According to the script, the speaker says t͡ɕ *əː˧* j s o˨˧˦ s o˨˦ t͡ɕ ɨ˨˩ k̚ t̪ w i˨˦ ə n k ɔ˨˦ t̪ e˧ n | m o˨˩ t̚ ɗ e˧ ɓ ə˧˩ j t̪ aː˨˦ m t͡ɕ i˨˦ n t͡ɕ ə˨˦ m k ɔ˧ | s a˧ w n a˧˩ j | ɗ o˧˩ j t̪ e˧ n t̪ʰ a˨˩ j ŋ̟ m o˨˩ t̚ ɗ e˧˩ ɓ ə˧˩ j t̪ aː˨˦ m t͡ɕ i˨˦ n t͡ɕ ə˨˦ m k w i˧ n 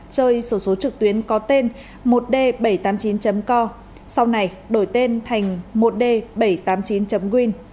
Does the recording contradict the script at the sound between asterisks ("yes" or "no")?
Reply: no